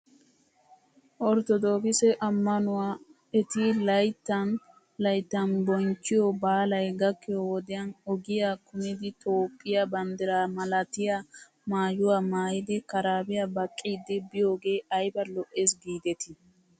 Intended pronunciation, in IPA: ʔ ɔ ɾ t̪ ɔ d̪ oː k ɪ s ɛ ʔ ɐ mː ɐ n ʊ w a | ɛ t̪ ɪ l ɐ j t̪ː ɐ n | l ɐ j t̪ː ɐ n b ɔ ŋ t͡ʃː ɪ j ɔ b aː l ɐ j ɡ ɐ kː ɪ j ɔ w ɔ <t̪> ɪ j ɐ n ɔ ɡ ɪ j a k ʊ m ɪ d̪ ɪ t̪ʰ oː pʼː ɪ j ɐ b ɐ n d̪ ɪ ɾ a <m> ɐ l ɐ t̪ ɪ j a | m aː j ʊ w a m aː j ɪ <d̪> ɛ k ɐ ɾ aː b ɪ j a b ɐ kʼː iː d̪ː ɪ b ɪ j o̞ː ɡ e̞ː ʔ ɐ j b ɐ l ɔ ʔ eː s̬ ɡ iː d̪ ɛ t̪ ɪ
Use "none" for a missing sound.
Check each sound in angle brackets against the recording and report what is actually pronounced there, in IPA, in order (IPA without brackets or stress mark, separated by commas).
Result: d̪, m, d̪